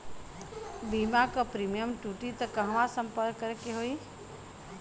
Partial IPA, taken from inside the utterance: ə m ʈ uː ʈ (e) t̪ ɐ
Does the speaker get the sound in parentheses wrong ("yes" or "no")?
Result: yes